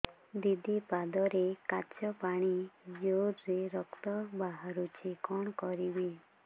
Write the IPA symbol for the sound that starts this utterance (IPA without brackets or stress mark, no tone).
d̪